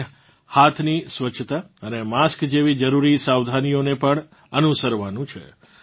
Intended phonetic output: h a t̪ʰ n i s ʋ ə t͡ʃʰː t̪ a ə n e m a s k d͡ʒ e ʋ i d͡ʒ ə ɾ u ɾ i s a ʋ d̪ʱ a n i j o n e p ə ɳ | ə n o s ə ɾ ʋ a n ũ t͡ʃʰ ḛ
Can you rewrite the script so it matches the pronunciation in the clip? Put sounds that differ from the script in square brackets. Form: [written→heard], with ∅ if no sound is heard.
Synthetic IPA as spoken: h a t̪ʰ n i s ʋ ə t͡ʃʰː t̪ a ə n e m a s k d͡ʒ e ʋ i d͡ʒ ə ɾ u ɾ i s a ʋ d̪ʱ a n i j o n e p ə ɳ | ə n [o→u] s ə ɾ ʋ a n ũ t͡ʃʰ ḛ